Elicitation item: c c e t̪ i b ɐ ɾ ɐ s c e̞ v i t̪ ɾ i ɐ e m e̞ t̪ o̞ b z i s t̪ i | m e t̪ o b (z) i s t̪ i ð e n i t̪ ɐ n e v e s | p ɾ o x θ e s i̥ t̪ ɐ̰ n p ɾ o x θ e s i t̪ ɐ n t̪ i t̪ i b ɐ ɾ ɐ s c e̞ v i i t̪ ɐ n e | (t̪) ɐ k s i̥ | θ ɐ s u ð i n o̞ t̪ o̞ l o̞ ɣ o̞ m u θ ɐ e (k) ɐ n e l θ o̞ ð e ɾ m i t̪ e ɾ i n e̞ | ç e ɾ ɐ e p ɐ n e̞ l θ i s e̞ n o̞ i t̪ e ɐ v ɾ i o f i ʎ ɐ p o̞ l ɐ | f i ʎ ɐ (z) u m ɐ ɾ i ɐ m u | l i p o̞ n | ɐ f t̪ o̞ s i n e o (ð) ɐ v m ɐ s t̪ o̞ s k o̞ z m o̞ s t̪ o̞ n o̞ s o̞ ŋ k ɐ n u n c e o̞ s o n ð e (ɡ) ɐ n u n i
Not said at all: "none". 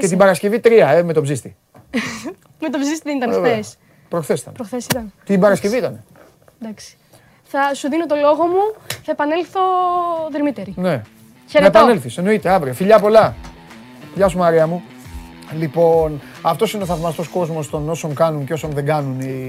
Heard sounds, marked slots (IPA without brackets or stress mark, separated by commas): z, d̪, p, s, θ, ɡ